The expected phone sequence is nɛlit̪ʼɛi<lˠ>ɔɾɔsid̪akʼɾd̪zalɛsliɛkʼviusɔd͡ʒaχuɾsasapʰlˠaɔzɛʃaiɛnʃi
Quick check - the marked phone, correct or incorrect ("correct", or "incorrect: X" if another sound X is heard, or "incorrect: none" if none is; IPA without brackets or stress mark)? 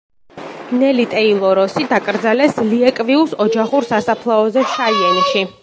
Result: correct